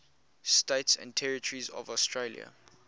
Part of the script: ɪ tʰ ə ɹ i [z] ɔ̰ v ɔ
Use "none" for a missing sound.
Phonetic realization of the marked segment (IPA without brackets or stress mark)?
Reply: z